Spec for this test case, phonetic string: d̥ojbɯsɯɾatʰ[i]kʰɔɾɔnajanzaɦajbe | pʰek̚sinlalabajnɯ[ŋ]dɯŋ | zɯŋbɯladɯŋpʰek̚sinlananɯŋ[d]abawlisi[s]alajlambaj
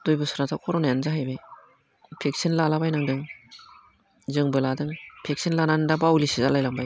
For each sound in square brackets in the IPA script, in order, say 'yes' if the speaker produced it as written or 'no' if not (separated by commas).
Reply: no, yes, yes, no